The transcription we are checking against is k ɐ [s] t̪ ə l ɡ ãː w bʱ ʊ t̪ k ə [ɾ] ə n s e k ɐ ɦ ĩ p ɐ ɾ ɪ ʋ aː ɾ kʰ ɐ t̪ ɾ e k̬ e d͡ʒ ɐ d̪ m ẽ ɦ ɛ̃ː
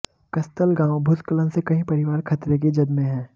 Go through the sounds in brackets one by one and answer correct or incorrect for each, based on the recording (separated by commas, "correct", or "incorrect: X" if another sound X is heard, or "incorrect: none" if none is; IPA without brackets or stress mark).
correct, incorrect: l